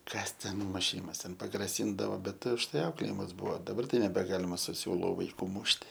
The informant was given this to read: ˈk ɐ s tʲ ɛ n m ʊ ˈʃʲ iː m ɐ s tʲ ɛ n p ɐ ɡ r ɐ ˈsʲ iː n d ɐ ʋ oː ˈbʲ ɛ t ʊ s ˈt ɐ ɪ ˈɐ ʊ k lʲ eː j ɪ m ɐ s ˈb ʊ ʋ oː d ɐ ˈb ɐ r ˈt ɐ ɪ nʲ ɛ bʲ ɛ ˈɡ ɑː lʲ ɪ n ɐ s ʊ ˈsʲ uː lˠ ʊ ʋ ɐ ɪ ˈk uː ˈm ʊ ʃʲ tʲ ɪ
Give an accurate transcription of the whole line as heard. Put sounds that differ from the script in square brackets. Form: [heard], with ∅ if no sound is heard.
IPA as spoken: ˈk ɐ s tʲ ɛ n m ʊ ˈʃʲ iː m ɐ s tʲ ɛ n p ɐ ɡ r ɐ ˈsʲ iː n d ɐ ʋ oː ˈbʲ ɛ t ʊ [ʃ] ˈt ɐ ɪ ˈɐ ʊ k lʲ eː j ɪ m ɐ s ˈb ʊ ʋ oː d ɐ ˈb ɐ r ˈt ɐ ɪ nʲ ɛ bʲ ɛ ˈɡ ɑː lʲ ɪ [m] ɐ s ʊ ˈsʲ uː lˠ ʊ ʋ ɐ ɪ ˈk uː ˈm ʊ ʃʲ tʲ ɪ